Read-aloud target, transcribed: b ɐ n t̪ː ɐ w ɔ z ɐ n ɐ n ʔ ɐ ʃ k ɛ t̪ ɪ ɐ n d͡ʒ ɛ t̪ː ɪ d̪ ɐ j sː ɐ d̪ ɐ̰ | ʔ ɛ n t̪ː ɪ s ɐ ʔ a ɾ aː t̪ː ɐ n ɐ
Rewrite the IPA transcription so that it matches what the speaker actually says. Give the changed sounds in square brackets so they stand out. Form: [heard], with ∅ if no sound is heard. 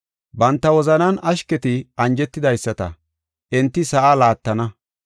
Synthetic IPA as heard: b ɐ n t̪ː ɐ w ɔ z ɐ n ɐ n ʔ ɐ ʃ k ɛ t̪ ɪ ɐ n d͡ʒ ɛ t̪ː ɪ d̪ ɐ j sː ɐ [t̪] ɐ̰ | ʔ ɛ n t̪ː ɪ s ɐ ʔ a [l] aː t̪ː ɐ n ɐ